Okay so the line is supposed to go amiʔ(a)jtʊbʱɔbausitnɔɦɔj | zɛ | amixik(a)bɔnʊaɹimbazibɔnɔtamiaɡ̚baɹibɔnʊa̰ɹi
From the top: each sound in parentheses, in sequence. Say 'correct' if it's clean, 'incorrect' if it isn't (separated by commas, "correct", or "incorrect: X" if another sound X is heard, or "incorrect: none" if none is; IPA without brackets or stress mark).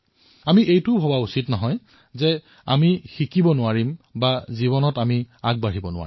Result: incorrect: e, incorrect: i